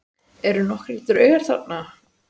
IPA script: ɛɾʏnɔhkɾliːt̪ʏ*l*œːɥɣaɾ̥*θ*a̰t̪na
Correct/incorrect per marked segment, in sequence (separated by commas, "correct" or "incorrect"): incorrect, correct